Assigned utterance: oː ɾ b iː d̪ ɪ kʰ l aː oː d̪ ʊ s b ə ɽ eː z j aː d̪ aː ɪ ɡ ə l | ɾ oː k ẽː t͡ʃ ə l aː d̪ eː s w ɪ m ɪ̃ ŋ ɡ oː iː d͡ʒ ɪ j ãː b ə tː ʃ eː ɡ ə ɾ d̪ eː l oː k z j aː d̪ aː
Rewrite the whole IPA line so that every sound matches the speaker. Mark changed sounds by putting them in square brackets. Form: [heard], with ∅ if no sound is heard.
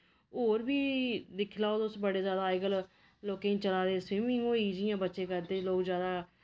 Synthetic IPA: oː ɾ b iː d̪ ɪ kʰ l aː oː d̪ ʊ s b ə ɽ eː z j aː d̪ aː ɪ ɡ ə l | [l] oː k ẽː t͡ʃ ə l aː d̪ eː s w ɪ m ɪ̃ ŋ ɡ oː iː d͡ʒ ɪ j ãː b ə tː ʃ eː [k] ə ɾ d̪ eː l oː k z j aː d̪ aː